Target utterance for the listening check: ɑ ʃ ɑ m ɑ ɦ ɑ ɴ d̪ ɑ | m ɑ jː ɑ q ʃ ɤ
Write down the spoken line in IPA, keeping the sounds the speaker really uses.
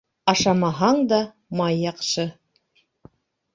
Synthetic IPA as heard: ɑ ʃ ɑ m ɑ ɦ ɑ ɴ d̪ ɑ | m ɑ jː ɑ q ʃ ɤ